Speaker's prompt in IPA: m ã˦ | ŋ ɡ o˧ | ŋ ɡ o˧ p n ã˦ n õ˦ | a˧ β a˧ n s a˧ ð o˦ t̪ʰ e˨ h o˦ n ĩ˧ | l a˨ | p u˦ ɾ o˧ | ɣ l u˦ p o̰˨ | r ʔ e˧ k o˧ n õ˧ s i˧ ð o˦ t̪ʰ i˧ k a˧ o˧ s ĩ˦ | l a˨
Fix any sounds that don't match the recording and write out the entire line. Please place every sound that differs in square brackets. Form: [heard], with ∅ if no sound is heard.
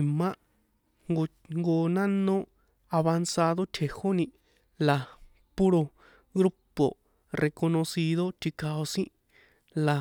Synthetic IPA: m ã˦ | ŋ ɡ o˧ | ŋ ɡ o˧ [∅] n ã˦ n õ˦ | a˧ β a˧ n s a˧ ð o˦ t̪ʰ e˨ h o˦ n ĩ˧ | l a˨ | p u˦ ɾ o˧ | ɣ [ɾ] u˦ p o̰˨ | r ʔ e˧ k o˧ n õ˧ s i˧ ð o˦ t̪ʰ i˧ k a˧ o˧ s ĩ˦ | l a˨